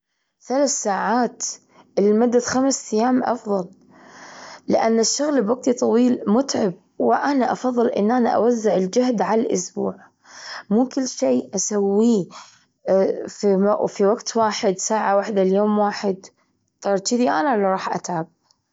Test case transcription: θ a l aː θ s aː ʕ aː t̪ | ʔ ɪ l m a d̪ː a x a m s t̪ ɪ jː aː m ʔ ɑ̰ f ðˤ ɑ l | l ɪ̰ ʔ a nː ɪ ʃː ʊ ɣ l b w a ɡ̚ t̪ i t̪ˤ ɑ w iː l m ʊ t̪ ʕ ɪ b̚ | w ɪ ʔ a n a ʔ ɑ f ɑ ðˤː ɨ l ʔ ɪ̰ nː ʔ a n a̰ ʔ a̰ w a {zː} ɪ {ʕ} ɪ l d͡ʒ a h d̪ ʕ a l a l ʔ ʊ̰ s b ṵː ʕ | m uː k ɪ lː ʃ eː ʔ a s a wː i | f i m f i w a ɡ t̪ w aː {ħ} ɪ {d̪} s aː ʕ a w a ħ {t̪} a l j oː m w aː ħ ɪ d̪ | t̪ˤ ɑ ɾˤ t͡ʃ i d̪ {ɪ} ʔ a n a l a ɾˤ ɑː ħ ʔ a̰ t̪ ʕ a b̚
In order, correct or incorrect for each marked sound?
correct, correct, correct, correct, incorrect: d̪, incorrect: i

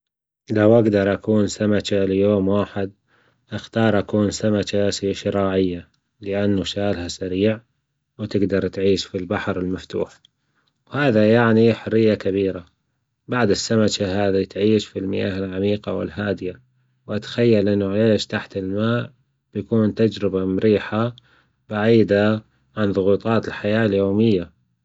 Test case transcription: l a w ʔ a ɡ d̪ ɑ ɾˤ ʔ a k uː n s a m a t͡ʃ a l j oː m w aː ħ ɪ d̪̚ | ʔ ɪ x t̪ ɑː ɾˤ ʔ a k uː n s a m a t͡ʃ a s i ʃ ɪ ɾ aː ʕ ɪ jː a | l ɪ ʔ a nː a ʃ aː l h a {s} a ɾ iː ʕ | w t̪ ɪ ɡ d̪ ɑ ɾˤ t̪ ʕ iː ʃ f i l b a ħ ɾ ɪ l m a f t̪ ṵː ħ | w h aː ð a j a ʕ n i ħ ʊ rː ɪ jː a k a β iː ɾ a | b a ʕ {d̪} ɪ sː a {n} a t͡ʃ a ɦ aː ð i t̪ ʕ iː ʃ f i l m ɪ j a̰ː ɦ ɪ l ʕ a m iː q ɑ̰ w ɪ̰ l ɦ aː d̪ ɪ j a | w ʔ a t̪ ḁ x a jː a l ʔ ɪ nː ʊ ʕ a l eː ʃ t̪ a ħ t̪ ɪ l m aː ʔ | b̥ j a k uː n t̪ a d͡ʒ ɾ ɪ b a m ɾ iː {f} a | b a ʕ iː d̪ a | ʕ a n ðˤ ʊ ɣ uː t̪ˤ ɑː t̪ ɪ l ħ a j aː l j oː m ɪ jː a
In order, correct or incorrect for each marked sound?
correct, correct, incorrect: m, incorrect: ħ

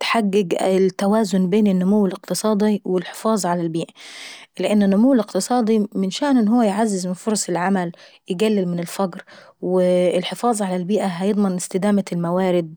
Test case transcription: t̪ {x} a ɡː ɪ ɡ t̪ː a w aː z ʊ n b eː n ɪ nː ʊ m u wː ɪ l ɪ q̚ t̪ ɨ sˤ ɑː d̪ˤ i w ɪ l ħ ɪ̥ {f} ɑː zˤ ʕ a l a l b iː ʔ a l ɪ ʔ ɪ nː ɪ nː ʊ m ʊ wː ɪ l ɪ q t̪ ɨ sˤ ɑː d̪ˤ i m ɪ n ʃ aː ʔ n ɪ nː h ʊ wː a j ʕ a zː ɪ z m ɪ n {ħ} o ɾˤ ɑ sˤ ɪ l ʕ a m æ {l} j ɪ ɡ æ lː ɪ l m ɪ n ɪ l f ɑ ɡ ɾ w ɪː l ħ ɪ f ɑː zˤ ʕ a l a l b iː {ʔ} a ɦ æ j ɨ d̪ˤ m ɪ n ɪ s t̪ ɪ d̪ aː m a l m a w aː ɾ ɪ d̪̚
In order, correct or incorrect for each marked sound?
incorrect: ħ, correct, incorrect: f, correct, correct

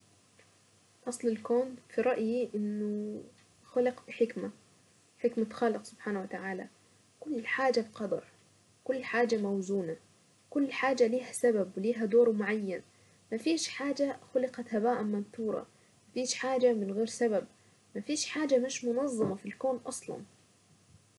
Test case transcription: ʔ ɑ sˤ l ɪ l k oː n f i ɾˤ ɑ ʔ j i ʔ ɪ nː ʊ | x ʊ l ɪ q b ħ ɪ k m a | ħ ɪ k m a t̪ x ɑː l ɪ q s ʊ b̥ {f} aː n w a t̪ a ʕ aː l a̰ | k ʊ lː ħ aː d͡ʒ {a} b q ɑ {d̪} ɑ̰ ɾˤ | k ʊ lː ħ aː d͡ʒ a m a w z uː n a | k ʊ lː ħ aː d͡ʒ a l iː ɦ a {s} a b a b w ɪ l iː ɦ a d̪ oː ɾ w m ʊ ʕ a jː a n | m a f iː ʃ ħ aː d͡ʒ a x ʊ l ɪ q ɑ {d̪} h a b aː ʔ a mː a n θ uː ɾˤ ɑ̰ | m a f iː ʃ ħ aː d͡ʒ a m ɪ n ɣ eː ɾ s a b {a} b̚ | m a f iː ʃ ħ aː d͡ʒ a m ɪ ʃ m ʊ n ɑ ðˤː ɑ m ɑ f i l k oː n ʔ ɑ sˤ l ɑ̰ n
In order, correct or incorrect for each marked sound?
incorrect: ħ, correct, correct, correct, incorrect: t̪, correct

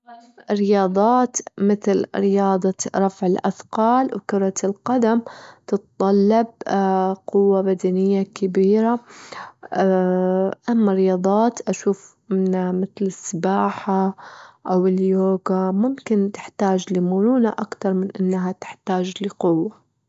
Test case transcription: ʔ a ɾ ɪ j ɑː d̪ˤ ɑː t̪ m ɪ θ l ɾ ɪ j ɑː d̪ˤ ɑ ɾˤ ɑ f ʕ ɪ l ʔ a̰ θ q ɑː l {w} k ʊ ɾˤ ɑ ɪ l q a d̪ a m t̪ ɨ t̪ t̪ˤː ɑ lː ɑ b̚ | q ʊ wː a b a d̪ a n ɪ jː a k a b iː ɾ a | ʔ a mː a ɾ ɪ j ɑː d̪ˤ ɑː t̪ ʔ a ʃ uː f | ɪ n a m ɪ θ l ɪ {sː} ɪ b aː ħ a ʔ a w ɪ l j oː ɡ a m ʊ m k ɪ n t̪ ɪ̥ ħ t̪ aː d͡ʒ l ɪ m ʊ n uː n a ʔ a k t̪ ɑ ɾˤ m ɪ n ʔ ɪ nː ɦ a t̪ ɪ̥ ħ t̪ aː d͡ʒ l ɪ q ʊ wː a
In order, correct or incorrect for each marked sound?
correct, correct

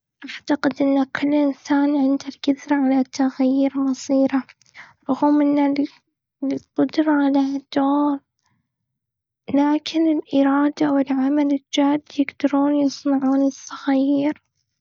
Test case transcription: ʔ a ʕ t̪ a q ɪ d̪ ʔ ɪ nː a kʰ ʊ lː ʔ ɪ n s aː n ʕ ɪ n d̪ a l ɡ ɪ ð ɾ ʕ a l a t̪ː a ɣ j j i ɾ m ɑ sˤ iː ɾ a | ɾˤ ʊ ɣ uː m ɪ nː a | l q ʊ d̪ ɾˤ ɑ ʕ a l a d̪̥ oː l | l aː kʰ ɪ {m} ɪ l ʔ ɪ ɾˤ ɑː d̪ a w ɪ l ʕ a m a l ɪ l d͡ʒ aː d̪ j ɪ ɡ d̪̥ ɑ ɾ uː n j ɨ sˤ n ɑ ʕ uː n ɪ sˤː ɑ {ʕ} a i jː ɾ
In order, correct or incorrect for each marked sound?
incorrect: n, incorrect: ɣ

